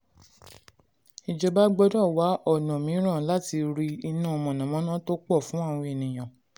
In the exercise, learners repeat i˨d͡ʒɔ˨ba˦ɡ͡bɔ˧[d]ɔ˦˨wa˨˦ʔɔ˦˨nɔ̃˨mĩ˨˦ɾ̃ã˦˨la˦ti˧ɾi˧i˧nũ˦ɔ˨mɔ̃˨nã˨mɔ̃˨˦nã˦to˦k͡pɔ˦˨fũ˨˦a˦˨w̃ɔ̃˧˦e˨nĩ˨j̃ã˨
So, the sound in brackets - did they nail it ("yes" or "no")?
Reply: yes